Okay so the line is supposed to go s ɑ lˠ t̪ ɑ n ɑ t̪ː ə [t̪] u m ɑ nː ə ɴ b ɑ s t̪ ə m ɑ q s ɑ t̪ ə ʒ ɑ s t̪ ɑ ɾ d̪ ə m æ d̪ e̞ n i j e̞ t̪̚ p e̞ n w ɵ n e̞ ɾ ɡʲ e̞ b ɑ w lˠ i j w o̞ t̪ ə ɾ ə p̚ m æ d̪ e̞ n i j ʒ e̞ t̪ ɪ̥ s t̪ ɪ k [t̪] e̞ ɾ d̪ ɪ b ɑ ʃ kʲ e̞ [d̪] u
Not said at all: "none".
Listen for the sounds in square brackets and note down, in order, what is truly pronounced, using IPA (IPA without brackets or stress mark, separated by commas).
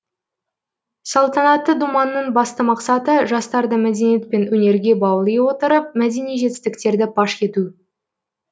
d̪, t̪, t̪